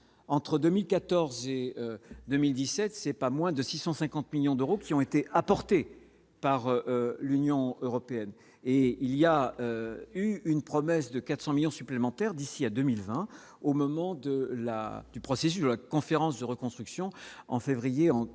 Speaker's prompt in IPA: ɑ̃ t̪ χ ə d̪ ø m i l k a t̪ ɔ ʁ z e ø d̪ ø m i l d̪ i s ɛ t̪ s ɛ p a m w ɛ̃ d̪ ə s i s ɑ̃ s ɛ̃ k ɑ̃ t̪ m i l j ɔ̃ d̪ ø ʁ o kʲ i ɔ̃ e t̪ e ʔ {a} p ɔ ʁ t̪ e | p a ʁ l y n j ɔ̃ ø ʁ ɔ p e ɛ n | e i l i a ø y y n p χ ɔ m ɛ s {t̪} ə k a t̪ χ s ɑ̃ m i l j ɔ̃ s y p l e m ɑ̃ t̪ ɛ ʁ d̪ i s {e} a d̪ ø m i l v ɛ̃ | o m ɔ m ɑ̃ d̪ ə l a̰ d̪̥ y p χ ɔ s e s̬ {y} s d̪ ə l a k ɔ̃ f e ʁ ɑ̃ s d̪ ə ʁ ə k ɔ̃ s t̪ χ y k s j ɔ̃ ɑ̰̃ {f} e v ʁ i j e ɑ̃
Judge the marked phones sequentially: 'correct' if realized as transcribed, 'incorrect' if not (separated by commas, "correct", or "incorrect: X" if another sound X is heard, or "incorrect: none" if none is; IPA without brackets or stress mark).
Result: correct, incorrect: d̪, incorrect: i, correct, correct